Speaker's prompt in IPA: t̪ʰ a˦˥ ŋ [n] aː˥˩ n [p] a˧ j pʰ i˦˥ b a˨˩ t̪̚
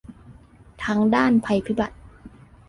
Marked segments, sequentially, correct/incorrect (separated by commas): incorrect, incorrect